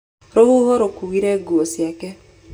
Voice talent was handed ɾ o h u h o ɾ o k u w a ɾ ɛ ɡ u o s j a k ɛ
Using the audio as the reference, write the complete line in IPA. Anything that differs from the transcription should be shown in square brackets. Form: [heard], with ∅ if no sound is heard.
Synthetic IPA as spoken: ɾ o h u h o ɾ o k u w [i] ɾ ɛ ɡ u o s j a k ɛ